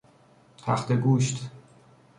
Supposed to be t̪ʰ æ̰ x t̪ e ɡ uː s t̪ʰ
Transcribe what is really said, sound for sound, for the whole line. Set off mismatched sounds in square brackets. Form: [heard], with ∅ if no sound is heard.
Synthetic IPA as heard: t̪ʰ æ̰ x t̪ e ɡ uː [ʃ] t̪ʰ